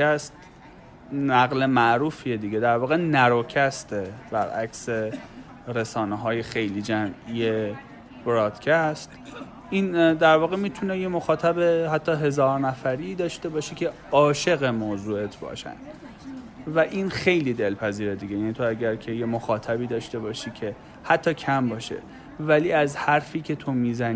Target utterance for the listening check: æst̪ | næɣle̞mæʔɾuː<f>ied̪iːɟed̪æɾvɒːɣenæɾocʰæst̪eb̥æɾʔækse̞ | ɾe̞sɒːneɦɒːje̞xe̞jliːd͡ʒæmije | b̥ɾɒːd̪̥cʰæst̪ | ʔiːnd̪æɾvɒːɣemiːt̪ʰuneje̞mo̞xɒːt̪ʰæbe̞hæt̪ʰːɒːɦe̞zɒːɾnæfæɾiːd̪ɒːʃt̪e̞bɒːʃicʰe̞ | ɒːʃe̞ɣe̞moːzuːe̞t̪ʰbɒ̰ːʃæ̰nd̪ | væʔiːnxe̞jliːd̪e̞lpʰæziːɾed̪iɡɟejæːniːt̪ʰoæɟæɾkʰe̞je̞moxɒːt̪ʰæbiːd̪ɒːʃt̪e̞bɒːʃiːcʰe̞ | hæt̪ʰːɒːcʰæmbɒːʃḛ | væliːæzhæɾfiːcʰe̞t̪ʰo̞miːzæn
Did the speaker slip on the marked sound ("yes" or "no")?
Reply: no